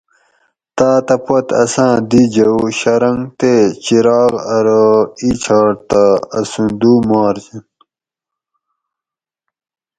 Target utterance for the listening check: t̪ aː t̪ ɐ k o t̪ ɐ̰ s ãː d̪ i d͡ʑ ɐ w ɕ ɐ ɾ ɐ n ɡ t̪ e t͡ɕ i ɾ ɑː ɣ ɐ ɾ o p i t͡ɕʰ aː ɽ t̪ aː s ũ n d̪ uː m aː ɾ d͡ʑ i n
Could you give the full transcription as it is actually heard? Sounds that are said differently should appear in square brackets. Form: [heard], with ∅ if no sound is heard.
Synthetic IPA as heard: t̪ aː t̪ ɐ [p] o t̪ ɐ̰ s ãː d̪ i d͡ʑ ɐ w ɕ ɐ ɾ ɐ [ŋ] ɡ t̪ e t͡ɕ i ɾ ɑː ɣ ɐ ɾ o [∅] i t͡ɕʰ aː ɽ t̪ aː s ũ n d̪ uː m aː ɾ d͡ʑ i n